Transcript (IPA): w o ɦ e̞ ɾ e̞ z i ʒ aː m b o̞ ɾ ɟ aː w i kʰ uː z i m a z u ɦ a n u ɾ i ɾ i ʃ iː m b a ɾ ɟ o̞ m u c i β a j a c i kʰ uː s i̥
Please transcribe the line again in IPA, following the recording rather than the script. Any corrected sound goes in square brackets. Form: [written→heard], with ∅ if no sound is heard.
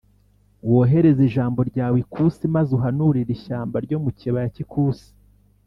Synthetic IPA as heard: w o ɦ e̞ ɾ e̞ z i ʒ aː m b o̞ ɾ ɟ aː w i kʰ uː [z→s] i m a z u ɦ a n u ɾ i ɾ i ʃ [iː→aː] m b a ɾ ɟ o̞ m u c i β a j a c i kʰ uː s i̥